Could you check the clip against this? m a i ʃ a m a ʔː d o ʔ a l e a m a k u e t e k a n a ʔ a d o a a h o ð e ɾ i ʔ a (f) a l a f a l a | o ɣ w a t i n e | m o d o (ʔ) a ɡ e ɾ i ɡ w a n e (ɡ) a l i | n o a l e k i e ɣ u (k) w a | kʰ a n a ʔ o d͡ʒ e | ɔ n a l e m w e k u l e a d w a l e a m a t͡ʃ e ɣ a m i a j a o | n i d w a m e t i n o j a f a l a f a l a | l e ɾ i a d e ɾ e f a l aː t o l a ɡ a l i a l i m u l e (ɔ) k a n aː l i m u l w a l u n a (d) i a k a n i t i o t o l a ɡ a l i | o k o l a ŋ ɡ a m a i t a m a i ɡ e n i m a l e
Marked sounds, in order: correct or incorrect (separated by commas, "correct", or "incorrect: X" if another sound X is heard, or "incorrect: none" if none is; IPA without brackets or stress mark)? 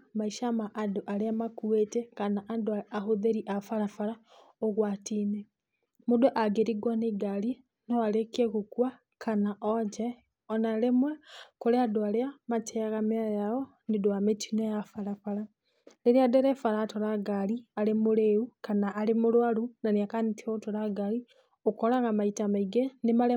correct, correct, correct, correct, incorrect: u, incorrect: n